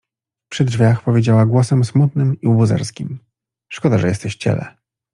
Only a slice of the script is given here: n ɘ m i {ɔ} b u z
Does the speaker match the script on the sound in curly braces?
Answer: no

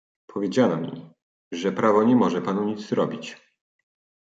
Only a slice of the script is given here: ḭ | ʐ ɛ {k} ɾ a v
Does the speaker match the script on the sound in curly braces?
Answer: no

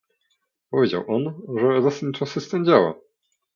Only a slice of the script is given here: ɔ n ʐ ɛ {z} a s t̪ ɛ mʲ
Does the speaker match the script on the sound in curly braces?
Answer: yes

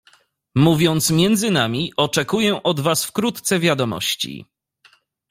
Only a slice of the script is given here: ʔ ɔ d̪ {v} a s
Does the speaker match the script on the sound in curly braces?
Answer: yes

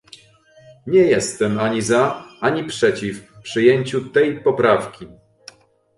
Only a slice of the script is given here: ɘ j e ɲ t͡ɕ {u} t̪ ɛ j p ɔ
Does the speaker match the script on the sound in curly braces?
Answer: yes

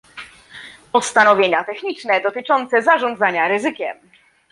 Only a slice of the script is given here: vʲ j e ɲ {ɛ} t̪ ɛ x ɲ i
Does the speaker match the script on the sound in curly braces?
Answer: no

